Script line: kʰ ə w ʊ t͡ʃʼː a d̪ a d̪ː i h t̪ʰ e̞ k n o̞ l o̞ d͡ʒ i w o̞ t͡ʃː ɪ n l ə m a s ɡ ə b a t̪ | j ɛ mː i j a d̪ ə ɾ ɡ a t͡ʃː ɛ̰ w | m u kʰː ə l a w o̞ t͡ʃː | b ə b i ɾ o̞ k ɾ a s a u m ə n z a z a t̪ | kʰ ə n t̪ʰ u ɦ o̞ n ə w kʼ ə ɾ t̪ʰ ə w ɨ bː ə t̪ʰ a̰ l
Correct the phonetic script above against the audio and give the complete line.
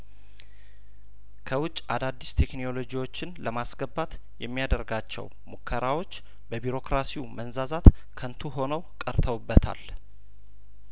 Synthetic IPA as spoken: kʰ ə w ʊ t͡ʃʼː a d̪ a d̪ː i s t̪ʰ e̞ k n o̞ l o̞ d͡ʒ i w o̞ t͡ʃː ɪ n l ə m a s ɡ ə b a t̪ | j ɛ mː i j a d̪ ə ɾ ɡ a t͡ʃː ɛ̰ w | m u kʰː ə ɾ a w o̞ t͡ʃː | b ə b i ɾ o̞ k ɾ a s i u m ə n z a z a t̪ | kʰ ə n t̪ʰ u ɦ o̞ n ə w kʼ ə ɾ t̪ʰ ə w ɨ bː ə t̪ʰ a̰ l